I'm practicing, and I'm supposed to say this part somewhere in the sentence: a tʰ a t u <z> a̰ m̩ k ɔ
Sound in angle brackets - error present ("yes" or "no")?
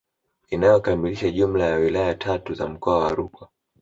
no